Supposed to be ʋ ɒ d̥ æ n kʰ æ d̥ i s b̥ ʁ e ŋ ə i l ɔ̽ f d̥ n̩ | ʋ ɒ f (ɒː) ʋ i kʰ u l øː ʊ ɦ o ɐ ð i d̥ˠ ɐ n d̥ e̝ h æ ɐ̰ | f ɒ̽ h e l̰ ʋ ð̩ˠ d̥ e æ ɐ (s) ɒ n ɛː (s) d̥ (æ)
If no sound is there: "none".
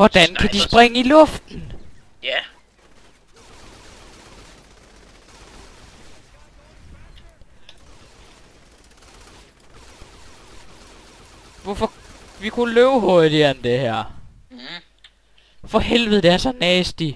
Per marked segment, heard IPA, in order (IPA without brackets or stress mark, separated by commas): ɒ, s, s, i